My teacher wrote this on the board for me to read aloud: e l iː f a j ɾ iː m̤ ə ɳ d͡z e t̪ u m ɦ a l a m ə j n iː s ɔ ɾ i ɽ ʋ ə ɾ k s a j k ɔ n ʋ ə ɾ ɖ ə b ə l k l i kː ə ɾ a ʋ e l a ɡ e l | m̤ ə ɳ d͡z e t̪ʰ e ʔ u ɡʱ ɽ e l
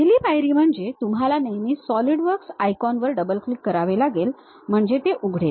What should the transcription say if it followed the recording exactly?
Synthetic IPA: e l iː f a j ɾ iː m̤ ə ɳ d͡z e t̪ u m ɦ a l a n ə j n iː s ɔ l i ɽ ʋ ə ɾ k s a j k ɔ n ʋ ə ɾ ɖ ə b ə l k l i kː ə ɾ a ʋ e l a ɡ e l | m̤ ə ɳ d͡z e t̪ e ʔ u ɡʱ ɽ e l